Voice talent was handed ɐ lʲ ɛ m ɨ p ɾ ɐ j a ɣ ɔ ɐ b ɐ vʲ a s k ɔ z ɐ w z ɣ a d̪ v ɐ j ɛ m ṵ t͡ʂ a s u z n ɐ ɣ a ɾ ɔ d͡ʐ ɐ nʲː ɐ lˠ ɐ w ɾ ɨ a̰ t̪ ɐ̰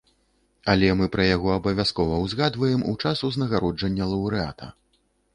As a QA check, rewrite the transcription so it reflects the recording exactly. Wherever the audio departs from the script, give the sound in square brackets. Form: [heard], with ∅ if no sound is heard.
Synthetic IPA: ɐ lʲ ɛ m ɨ p ɾ ɐ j a ɣ ɔ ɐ b ɐ vʲ a s k ɔ [v] ɐ w z ɣ a d̪ v ɐ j ɛ m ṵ t͡ʂ a s u z n ɐ ɣ a ɾ ɔ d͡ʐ ɐ nʲː ɐ lˠ ɐ w ɾ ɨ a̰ t̪ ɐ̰